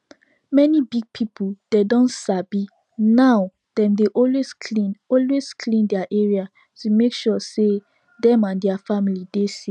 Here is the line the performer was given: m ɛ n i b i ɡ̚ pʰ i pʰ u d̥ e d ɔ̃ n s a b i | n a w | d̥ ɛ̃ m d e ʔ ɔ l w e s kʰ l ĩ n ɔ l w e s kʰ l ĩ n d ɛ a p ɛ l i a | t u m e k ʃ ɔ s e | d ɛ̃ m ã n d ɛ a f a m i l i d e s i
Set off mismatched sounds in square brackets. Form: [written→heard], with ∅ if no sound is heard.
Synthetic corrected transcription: m ɛ n i b i ɡ̚ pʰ i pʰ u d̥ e d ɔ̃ n s a b i | n a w | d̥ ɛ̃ m d e ʔ ɔ l w e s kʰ l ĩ n ɔ l w e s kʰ l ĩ n d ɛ a [p→ʔ] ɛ [l→ɹ] i a | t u m e k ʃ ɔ s e | d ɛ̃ m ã n d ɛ a f a m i l i d e s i